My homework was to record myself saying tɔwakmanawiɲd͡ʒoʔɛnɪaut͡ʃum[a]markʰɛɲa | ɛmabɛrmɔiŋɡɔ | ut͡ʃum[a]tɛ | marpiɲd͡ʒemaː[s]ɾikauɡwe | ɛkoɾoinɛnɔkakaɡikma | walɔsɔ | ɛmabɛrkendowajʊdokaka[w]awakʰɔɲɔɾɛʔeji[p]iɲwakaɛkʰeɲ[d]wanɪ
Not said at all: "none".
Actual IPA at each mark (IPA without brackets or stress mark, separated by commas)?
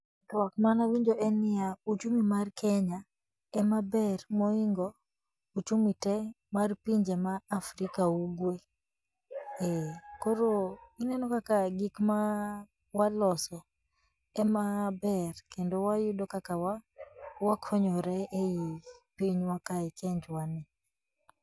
i, i, f, w, p, d͡ʒ